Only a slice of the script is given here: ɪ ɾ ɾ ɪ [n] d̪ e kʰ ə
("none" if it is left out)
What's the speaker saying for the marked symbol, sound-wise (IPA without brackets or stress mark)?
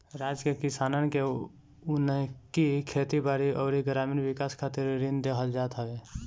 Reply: n